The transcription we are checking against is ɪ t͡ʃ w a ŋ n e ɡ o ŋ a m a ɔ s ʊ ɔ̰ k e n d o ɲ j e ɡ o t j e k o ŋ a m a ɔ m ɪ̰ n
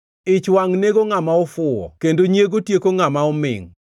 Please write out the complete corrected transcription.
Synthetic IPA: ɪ t͡ʃ w a ŋ n e ɡ o ŋ a m a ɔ f ʊ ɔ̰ k e n d o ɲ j e ɡ o t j e k o ŋ a m a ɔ m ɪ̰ ŋ